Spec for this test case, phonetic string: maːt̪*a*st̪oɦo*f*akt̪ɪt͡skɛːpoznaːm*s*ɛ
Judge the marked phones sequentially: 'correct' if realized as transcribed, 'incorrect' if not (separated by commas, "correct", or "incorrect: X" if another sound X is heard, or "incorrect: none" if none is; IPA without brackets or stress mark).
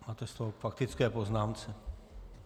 incorrect: ɛ, correct, incorrect: t͡s